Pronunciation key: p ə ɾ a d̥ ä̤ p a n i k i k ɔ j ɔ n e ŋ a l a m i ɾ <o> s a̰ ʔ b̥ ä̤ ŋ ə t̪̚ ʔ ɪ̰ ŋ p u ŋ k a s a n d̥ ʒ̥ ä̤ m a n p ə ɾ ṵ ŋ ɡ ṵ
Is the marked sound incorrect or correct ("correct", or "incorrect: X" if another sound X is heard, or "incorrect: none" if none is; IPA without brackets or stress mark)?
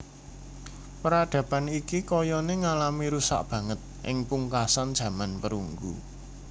incorrect: u